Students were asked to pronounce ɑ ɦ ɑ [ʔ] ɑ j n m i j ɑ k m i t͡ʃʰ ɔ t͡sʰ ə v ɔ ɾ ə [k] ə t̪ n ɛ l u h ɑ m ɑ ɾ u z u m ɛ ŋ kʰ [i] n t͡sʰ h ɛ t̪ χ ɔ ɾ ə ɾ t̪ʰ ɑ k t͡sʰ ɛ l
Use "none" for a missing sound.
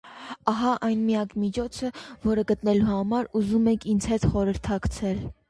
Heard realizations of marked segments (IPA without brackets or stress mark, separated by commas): ʔ, ɡ, i